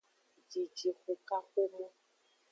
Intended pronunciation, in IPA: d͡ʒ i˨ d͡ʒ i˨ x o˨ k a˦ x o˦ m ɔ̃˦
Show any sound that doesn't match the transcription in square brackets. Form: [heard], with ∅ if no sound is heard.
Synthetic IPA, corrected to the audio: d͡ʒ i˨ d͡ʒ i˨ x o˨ k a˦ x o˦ m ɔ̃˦